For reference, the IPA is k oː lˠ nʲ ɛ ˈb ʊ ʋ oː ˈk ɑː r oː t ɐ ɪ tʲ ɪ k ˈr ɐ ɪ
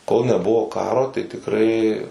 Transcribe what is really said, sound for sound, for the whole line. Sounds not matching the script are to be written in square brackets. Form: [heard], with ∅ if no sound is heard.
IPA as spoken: k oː lˠ nʲ ɛ ˈb ʊ ʋ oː ˈk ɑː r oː t ɐ ɪ tʲ ɪ k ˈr ɐ ɪ